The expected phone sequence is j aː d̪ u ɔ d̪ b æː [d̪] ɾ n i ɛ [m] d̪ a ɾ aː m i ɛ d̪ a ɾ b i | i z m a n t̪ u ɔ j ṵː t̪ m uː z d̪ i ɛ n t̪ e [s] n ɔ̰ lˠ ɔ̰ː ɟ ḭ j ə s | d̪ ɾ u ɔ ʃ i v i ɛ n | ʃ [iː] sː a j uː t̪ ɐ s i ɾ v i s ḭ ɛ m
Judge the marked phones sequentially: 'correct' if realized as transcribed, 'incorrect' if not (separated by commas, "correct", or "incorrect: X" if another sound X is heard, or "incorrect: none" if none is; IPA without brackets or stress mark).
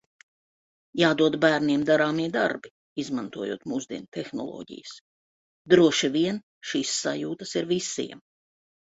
incorrect: none, correct, incorrect: x, correct